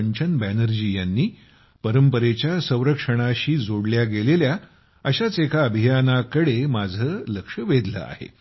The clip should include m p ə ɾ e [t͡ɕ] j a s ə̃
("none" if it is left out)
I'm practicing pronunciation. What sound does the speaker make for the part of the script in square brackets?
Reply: t͡ɕ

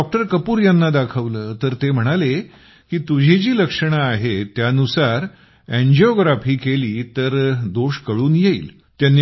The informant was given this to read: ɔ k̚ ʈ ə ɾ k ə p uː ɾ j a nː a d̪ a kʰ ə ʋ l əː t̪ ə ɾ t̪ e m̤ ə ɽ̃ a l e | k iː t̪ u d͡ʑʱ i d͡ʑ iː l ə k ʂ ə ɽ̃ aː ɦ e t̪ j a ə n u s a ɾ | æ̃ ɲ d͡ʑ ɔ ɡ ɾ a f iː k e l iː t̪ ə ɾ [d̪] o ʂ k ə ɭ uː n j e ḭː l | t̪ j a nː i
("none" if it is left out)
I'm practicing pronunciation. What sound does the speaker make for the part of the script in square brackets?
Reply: d̪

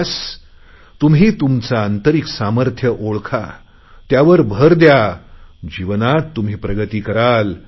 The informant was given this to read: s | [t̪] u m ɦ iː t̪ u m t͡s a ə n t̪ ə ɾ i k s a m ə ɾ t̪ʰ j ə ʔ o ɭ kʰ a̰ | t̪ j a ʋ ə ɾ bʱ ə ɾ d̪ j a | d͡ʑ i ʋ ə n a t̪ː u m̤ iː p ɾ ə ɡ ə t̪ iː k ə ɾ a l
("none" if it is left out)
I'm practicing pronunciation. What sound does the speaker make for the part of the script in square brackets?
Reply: t̪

